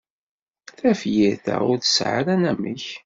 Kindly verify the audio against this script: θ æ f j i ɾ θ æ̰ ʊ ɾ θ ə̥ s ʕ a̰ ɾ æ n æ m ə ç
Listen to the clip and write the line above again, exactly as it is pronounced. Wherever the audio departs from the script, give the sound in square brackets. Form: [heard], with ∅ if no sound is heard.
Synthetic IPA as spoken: θ æ f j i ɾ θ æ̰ ʊ ɾ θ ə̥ s ʕ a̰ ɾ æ n æ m ə ç